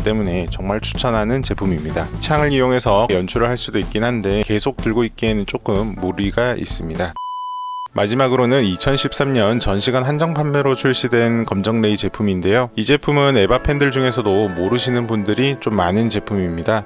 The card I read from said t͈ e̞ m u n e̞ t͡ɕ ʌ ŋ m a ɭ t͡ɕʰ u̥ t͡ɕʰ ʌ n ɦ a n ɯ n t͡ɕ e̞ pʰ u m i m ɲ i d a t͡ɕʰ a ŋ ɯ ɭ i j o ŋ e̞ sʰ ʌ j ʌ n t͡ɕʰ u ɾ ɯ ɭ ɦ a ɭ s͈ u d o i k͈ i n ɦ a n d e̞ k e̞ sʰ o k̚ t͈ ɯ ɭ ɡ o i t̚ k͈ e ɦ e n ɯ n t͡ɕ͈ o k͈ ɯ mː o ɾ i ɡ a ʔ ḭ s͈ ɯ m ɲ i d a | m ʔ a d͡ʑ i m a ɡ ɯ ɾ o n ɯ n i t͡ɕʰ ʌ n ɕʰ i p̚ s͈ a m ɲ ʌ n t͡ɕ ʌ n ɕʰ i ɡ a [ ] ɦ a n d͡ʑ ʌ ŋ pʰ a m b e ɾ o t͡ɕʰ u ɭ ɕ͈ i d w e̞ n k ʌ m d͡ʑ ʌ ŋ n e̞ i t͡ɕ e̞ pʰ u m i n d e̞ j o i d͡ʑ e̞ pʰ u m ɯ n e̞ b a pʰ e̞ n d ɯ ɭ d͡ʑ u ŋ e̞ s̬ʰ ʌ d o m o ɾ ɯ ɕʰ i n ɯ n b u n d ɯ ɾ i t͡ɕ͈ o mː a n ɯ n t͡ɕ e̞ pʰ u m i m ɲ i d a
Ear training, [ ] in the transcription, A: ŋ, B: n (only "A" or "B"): B